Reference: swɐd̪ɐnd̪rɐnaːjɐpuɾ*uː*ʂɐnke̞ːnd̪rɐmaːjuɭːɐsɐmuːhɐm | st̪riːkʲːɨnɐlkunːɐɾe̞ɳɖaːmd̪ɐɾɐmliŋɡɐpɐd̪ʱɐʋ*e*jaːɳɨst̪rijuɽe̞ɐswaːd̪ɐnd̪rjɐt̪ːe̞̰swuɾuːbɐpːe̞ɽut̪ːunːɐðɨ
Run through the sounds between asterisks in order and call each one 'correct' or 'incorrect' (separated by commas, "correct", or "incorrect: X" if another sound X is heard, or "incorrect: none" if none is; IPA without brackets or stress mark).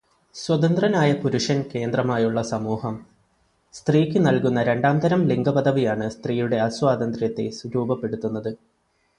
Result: incorrect: u, incorrect: i